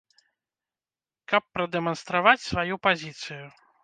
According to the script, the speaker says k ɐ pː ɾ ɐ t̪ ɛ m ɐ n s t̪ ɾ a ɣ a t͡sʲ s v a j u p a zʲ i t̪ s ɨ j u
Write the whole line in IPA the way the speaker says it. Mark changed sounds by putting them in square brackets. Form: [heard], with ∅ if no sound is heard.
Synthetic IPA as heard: k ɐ pː ɾ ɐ [d̪] ɛ m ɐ n s t̪ ɾ a [v] a t͡sʲ s v a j u p a zʲ i t̪ s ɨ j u